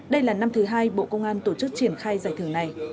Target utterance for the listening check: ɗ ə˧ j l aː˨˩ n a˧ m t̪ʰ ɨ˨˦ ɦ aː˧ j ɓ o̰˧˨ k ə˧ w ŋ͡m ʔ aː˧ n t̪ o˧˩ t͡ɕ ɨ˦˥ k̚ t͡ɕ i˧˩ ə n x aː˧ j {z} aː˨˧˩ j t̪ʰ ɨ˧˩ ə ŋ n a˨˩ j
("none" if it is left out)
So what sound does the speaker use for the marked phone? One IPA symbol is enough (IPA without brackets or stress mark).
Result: z